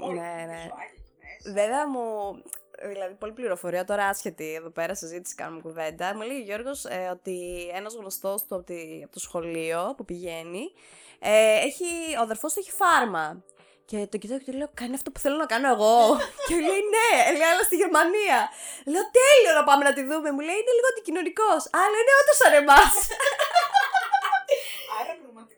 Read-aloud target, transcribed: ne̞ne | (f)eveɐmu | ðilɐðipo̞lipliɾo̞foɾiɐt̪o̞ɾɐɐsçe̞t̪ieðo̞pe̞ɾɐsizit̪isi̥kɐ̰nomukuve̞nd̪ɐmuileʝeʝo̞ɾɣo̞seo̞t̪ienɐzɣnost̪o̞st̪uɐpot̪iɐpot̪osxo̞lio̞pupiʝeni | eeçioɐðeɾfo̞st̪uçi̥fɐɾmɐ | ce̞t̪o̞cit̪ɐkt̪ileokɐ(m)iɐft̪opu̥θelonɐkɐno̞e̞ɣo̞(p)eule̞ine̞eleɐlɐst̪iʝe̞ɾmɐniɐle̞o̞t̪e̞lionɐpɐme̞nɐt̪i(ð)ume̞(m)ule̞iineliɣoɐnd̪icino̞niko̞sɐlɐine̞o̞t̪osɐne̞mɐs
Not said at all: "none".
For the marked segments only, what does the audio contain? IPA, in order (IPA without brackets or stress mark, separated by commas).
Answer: v, n, c, ð, m